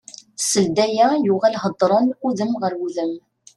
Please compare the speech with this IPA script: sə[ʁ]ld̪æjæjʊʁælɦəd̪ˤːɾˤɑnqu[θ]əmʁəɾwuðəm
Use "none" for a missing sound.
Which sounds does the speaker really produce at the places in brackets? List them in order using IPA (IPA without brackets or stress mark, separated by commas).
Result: none, ð